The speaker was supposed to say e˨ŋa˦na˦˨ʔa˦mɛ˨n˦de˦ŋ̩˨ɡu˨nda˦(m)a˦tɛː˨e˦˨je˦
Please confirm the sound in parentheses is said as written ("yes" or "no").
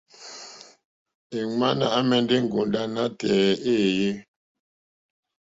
no